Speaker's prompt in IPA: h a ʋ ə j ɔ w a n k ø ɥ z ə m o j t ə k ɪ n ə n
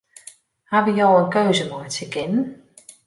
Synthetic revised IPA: h a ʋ ə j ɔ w ə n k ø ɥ z ə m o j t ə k ɪ n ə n